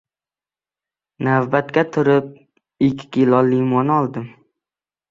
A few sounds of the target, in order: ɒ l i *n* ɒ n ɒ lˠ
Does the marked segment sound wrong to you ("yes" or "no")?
yes